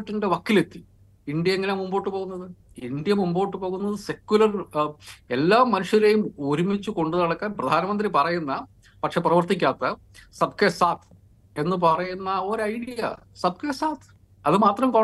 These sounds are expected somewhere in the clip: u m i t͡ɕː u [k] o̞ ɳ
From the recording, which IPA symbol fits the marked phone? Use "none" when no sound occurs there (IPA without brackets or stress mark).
k